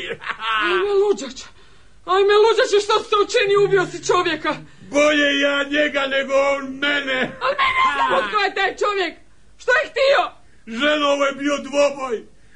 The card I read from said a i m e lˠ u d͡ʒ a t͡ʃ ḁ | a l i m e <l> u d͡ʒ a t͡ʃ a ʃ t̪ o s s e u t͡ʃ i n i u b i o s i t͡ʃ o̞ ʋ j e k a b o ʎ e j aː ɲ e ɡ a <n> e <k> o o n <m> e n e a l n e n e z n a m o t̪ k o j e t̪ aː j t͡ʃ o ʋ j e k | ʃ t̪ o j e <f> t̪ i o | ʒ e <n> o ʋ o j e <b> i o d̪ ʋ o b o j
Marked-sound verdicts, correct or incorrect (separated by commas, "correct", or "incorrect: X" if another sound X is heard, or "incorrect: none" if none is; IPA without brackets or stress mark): correct, correct, incorrect: ɡ, correct, incorrect: x, correct, correct